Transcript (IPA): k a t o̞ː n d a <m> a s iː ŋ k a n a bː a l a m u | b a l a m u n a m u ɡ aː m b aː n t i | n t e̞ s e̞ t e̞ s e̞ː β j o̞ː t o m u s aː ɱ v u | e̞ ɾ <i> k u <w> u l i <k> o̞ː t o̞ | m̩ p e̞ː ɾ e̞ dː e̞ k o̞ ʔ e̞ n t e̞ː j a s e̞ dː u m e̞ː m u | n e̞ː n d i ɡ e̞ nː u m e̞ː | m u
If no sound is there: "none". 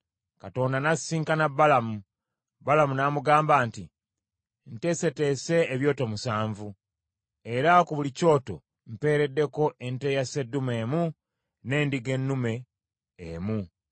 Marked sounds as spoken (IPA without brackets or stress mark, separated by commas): n, a, β, c